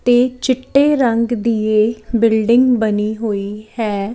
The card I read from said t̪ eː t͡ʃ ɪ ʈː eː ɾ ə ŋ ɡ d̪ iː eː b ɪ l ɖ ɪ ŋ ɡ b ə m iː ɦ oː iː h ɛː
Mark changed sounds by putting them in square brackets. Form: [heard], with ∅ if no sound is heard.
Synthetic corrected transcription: t̪ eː t͡ʃ ɪ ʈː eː ɾ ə ŋ ɡ d̪ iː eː b ɪ l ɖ ɪ ŋ ɡ b ə [n] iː ɦ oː iː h ɛː